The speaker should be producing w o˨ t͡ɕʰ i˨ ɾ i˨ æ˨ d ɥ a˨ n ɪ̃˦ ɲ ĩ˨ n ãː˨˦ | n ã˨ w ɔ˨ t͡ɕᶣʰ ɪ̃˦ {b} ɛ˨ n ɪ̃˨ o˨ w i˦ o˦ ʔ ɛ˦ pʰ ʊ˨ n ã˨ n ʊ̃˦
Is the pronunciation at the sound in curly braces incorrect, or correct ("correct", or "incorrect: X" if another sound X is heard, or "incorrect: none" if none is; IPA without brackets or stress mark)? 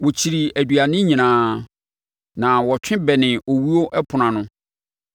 correct